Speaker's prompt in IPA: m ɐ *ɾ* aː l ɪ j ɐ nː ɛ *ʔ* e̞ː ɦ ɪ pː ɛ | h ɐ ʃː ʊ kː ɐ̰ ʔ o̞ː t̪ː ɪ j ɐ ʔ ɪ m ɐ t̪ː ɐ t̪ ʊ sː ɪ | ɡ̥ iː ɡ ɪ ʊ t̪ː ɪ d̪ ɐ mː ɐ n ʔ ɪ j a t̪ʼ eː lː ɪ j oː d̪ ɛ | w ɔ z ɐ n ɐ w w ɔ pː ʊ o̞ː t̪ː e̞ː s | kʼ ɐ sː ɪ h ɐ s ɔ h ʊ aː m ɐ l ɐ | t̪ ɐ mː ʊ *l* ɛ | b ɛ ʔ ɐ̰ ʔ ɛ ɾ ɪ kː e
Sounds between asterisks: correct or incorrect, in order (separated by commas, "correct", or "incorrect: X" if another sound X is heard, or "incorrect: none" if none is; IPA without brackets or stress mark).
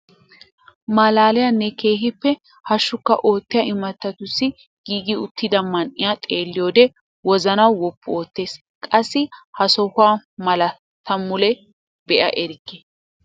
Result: incorrect: l, incorrect: k, correct